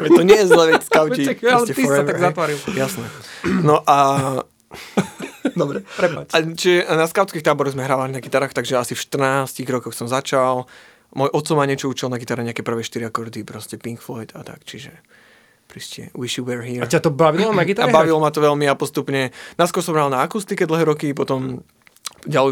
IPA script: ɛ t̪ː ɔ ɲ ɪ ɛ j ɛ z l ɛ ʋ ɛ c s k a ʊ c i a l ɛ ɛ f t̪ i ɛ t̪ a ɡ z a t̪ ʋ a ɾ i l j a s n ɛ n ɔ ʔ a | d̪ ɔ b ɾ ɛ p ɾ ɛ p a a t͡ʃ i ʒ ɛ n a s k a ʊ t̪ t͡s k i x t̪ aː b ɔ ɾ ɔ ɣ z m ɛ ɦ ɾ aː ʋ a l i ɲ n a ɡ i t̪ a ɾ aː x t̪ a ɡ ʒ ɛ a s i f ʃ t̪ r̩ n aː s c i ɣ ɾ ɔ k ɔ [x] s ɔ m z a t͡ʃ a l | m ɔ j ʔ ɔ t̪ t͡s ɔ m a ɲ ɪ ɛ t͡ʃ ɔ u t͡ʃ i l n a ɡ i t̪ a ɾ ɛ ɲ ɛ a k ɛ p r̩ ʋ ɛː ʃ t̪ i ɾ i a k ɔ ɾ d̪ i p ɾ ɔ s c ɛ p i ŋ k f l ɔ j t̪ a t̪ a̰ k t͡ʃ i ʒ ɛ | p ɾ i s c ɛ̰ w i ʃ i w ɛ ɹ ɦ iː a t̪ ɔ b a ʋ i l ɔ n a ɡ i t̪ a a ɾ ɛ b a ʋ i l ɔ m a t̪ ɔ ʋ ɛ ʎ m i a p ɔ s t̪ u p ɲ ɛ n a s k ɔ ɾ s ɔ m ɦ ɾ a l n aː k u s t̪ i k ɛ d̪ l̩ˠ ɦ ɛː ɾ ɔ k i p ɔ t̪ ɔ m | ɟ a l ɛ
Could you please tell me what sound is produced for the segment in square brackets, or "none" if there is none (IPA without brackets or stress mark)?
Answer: x